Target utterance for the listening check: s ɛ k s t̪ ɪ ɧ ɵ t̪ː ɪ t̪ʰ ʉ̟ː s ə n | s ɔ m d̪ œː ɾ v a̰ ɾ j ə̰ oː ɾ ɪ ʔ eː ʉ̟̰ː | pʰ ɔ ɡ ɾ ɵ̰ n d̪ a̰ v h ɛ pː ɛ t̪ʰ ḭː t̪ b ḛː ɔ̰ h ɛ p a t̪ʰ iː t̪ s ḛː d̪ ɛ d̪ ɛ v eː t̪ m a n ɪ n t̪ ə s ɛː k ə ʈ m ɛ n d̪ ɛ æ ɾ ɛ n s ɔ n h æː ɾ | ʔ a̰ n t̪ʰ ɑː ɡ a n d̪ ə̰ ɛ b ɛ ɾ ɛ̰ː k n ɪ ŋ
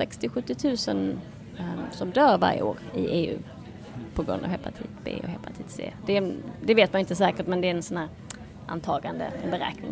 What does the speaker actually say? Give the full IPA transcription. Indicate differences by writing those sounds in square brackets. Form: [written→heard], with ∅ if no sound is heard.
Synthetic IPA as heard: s ɛ k s t̪ ɪ ɧ ɵ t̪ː ɪ t̪ʰ ʉ̟ː s ə n | s ɔ m d̪ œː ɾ v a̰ ɾ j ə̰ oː ɾ ɪ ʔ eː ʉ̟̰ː | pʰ ɔ ɡ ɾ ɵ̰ n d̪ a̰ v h ɛ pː [ɛ→a] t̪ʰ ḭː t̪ b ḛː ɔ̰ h ɛ p a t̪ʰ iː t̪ s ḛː d̪ ɛ d̪ ɛ v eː t̪ m a n ɪ n t̪ ə s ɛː k ə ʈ m ɛ n d̪ ɛ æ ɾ ɛ n s ɔ n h æː ɾ | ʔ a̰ n t̪ʰ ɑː ɡ a n d̪ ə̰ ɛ b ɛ ɾ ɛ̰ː k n ɪ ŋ